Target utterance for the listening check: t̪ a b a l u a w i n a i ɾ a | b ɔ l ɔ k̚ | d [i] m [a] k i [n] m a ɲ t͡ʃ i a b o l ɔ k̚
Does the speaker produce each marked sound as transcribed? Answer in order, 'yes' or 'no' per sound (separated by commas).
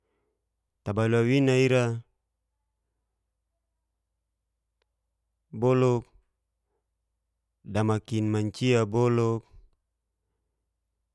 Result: no, yes, yes